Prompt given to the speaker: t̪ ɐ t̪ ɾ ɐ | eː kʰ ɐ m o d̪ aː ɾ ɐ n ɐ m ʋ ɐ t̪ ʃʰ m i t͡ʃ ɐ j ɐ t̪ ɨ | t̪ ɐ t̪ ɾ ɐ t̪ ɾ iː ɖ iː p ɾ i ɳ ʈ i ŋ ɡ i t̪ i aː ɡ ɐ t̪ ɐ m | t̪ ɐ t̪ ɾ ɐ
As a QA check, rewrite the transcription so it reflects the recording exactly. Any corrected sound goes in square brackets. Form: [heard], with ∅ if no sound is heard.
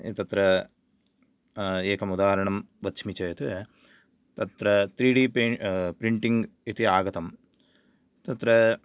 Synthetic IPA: t̪ ɐ t̪ ɾ ɐ | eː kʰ ɐ m [u] d̪ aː ɾ ɐ [ɳ] ɐ m ʋ ɐ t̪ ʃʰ m i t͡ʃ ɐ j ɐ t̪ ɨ | t̪ ɐ t̪ ɾ ɐ t̪ ɾ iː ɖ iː p ɾ i ɳ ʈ i ŋ ɡ i t̪ i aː ɡ ɐ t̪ ɐ m | t̪ ɐ t̪ ɾ ɐ